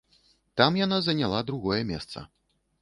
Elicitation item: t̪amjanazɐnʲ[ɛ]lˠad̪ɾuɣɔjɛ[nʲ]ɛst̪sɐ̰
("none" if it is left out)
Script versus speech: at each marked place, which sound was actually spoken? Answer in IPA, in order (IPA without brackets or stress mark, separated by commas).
a, mʲ